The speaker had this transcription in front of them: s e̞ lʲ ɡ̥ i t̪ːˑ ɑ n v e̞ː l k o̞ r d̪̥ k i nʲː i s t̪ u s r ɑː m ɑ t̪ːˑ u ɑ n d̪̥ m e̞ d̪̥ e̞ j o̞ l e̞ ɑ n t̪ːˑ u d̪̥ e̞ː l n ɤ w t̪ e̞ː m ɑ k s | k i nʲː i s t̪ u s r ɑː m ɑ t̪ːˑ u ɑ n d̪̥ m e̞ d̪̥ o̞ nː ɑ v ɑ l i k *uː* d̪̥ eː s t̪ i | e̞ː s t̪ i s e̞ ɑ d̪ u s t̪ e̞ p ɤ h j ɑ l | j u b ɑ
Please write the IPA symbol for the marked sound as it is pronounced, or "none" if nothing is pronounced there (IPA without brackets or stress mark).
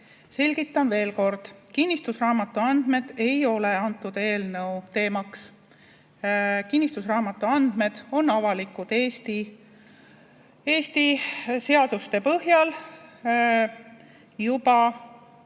u